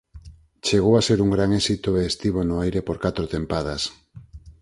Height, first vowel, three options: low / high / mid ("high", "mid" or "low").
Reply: mid